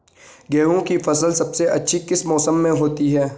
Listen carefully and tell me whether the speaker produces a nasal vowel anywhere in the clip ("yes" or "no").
yes